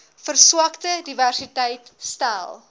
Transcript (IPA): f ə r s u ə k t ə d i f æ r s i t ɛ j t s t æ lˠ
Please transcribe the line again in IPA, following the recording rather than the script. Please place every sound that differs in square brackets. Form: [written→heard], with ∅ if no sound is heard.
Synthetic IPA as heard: f ə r s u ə k t ə d i [f→v] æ r s i t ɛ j t s t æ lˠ